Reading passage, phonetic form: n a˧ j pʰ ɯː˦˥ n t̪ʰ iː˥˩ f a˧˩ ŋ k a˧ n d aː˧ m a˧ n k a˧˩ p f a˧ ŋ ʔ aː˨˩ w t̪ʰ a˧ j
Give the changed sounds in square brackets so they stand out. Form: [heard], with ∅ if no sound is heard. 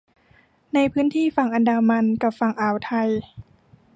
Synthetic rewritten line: n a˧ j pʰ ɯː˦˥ n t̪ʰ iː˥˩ f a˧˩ ŋ [ʔ] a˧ n d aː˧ m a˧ n k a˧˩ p f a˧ ŋ ʔ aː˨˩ w t̪ʰ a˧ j